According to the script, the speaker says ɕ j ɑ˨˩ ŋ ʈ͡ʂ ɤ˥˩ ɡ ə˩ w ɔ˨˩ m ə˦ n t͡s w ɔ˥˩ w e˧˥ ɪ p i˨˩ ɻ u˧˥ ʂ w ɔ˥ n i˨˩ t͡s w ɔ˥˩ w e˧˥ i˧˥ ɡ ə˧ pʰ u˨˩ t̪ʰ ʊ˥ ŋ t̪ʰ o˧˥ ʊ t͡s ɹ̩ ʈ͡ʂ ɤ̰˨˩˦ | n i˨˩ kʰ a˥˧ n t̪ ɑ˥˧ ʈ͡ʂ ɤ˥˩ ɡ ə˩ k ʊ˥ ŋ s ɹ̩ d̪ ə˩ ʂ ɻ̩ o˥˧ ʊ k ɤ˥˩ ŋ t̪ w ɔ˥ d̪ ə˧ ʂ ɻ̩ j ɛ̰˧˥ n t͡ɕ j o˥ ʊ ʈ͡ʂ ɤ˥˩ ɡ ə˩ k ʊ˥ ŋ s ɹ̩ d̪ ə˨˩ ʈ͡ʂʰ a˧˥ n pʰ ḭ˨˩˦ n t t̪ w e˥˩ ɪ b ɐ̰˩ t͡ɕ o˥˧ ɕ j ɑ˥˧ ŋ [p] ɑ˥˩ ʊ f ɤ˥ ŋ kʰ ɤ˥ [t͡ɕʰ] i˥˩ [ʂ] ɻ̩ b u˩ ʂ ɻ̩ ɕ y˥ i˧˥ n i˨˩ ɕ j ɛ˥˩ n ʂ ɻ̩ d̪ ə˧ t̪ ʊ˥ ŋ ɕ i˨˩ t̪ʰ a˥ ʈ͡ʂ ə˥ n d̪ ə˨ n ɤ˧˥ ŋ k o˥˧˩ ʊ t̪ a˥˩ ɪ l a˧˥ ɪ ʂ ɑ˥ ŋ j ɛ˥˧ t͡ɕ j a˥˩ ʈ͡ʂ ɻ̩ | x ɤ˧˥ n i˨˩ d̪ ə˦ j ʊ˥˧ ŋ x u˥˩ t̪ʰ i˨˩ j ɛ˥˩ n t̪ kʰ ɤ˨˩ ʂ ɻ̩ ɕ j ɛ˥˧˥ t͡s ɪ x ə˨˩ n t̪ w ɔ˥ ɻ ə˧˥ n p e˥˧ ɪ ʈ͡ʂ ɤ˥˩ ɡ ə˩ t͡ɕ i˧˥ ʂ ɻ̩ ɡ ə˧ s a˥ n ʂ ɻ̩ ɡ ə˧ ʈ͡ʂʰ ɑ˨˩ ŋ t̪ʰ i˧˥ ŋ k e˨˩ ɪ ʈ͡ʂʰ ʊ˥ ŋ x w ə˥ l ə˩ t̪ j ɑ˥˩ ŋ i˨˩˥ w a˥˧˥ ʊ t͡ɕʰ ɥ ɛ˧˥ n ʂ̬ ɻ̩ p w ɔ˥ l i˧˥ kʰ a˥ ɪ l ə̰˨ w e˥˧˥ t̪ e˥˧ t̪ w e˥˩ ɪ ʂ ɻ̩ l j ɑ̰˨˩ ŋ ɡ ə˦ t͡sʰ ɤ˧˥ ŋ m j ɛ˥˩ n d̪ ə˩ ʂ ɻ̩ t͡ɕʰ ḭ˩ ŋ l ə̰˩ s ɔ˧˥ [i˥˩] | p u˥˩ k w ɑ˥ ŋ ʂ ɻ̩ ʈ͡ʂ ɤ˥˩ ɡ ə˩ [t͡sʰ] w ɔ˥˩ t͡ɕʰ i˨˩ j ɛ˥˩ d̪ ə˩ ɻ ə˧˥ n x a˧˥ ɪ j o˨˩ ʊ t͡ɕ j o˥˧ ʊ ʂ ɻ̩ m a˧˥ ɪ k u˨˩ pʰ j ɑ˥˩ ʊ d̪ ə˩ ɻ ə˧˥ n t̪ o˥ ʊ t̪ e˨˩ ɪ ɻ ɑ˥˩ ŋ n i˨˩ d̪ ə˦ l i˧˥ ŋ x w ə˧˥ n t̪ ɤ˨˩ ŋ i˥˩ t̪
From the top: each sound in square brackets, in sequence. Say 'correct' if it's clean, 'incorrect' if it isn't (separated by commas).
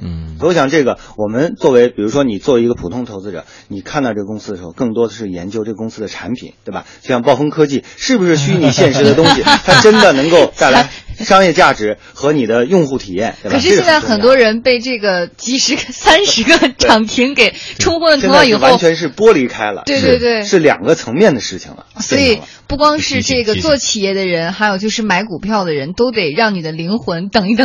correct, incorrect, correct, incorrect, incorrect